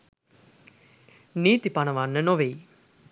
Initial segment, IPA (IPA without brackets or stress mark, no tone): n